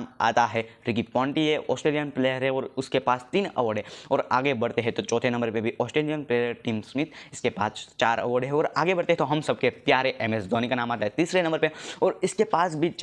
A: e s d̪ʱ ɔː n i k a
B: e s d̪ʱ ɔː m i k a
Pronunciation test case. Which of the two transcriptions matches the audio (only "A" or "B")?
A